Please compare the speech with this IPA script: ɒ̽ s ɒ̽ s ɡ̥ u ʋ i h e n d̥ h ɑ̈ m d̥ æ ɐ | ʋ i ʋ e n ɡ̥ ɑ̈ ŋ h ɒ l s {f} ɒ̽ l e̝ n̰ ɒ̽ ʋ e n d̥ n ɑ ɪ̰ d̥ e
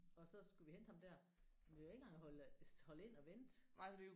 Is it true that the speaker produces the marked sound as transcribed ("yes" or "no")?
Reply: no